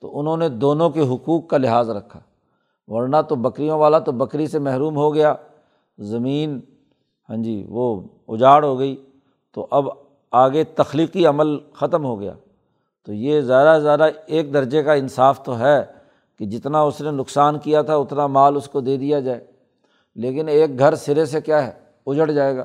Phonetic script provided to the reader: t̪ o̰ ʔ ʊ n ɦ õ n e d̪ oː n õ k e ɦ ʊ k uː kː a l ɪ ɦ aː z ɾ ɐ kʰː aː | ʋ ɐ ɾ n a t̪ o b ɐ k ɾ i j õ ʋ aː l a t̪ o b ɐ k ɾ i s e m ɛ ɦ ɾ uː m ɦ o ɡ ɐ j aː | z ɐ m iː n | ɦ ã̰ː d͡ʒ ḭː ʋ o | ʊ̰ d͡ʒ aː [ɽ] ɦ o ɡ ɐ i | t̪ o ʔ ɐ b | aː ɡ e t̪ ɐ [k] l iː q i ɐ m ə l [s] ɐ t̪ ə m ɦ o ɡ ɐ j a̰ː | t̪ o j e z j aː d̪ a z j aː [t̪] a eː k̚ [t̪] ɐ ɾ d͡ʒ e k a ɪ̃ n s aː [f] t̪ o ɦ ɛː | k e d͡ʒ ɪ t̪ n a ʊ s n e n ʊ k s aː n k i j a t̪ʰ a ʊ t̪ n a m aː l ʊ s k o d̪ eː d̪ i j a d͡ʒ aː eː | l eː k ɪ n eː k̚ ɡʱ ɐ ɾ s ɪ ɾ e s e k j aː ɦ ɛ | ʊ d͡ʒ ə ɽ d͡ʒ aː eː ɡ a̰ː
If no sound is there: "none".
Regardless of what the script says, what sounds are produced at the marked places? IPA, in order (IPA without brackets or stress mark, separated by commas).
ɽ, x, x, d̪, d̪, f